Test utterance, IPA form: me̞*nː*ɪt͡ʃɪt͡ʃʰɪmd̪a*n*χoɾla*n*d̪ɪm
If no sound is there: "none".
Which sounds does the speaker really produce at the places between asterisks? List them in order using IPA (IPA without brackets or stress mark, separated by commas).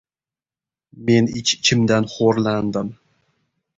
n, n, n